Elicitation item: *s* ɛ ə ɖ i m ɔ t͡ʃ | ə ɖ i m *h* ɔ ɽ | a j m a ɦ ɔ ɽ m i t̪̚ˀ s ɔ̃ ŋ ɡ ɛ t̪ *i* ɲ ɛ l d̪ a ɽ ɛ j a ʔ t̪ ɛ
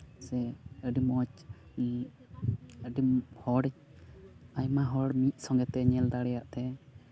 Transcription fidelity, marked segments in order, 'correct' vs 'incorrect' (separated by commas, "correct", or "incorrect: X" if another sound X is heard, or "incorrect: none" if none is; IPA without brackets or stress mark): correct, correct, incorrect: ɛ